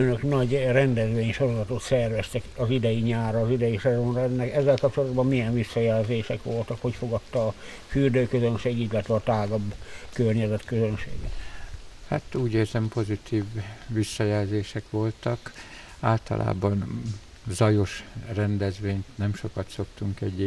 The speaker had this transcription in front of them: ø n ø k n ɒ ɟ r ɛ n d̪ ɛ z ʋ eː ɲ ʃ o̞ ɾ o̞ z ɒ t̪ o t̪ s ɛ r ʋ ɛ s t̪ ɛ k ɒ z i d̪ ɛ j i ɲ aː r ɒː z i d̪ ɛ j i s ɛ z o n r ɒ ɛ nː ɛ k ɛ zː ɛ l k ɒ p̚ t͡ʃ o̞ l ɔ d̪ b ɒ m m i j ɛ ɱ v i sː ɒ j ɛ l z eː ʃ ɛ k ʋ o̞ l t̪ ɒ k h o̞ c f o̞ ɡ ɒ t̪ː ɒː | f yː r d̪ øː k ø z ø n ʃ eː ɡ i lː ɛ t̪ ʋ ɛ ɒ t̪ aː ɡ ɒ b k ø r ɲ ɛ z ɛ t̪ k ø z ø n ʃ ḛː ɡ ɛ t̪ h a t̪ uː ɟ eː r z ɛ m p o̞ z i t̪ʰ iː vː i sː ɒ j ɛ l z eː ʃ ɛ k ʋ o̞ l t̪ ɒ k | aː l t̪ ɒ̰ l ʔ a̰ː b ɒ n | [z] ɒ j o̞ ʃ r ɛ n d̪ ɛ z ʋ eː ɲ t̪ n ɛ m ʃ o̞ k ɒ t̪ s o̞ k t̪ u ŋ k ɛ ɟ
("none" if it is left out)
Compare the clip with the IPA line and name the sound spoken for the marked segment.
z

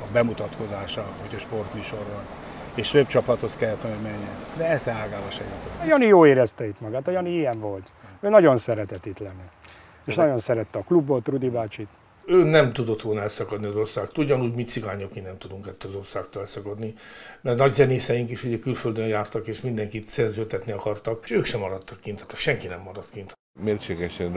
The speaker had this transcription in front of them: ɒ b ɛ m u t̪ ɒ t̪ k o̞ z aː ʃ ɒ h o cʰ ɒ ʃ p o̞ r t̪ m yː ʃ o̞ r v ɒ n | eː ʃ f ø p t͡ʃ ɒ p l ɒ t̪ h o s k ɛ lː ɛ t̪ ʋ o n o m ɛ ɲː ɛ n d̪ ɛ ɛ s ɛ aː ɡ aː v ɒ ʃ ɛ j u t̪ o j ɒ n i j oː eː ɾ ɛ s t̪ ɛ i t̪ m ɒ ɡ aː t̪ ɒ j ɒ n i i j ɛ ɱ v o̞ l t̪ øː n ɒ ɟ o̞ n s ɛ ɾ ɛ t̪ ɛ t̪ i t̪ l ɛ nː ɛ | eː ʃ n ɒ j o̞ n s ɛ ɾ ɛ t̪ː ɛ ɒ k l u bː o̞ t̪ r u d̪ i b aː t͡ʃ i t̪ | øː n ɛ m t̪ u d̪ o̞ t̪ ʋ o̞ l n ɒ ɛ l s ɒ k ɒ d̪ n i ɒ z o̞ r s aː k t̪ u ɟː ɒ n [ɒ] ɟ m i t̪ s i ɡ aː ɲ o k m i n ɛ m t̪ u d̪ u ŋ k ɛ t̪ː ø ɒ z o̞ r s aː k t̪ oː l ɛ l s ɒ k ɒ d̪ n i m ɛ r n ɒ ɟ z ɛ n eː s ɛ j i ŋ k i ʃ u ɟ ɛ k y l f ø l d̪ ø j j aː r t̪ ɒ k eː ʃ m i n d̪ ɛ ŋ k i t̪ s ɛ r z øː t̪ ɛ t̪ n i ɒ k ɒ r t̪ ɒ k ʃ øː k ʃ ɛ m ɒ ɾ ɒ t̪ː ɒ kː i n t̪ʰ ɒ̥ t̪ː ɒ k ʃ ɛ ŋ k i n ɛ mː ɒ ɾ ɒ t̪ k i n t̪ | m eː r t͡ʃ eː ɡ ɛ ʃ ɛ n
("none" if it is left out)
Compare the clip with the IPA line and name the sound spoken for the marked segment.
u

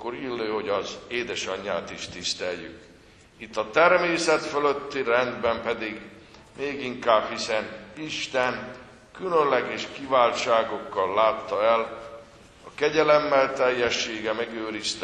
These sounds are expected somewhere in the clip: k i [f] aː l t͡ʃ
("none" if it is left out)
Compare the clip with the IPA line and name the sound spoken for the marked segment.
v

